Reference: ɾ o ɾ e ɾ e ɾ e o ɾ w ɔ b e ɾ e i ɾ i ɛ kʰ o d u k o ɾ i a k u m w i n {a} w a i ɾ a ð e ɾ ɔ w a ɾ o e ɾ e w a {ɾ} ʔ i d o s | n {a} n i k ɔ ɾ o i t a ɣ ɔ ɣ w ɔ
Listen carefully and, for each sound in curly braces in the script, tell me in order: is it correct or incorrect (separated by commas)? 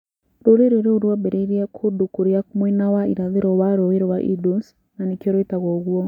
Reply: correct, incorrect, correct